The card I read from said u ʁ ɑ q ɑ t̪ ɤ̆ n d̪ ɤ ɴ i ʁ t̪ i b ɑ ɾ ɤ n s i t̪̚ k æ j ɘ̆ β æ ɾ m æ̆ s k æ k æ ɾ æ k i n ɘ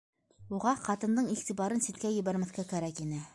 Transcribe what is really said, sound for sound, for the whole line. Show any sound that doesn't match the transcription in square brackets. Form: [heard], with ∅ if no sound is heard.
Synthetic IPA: u ʁ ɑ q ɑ t̪ ɤ̆ n d̪ ɤ ɴ i ʁ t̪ i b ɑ ɾ ɤ n s i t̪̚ k æ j ɘ̆ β æ ɾ m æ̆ [θ] k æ k æ ɾ æ k i n ɘ